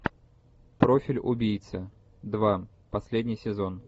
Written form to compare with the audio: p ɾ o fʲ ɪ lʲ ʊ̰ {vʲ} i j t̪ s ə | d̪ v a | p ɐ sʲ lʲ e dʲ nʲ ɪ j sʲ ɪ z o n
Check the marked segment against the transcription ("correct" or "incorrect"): incorrect